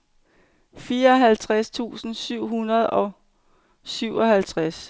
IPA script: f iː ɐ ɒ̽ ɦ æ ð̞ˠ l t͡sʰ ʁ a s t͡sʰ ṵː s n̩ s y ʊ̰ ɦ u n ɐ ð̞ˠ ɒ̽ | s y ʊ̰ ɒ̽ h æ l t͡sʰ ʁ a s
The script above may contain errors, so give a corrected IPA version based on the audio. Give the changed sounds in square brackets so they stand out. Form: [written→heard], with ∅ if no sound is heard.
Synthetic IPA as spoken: f iː ɐ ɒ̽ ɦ æ [ð̞ˠ→∅] l t͡sʰ ʁ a s t͡sʰ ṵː s n̩ s y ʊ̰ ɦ u n ɐ ð̞ˠ ɒ̽ | s y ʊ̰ ɒ̽ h æ l t͡sʰ ʁ a s